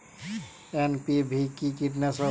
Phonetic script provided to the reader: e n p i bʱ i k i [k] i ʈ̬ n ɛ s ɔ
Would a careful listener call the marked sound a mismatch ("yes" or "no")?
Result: no